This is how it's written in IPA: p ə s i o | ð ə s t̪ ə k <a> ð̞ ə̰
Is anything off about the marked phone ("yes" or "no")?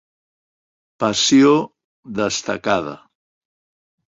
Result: no